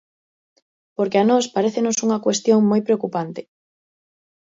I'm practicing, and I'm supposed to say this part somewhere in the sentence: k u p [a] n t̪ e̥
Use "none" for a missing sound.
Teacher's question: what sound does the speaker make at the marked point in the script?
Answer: a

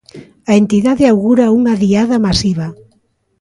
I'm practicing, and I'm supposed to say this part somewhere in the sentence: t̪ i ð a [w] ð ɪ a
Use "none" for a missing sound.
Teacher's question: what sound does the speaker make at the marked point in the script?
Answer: none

